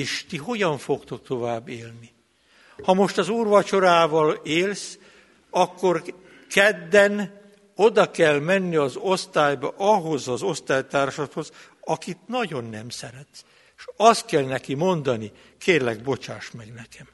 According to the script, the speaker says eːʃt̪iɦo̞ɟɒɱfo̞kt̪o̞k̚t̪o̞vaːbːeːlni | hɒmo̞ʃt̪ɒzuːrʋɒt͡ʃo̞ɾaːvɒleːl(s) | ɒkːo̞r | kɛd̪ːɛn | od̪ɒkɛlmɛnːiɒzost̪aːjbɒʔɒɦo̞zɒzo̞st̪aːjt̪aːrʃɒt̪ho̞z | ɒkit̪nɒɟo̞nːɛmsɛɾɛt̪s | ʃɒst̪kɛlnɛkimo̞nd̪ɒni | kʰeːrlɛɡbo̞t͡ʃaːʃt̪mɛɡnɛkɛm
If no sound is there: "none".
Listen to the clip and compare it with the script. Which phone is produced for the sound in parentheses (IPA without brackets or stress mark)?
s